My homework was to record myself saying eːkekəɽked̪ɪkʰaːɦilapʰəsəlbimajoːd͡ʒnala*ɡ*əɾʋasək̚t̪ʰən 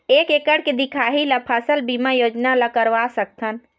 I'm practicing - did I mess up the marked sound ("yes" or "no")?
yes